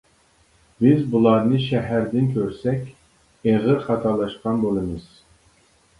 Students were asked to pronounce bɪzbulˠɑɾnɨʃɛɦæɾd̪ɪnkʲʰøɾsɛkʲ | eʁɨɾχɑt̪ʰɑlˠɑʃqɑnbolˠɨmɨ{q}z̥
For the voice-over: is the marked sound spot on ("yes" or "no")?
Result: no